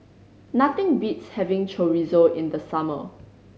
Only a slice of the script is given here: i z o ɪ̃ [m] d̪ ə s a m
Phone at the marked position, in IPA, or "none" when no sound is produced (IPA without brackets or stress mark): n